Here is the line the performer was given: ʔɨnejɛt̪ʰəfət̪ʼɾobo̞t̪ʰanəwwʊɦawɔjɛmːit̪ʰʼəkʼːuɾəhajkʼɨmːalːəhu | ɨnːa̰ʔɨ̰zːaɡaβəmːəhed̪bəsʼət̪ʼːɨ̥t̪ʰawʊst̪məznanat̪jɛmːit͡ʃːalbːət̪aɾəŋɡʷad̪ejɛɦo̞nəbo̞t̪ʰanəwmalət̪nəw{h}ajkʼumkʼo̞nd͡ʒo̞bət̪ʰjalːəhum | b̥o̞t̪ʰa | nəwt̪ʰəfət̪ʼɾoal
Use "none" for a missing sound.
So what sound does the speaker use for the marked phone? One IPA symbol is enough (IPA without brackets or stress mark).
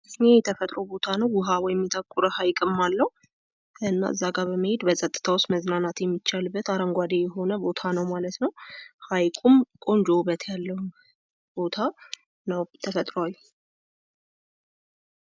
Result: h